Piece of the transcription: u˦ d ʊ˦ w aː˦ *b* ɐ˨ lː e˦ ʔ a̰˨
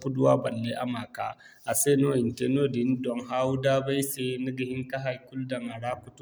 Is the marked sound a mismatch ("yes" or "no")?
no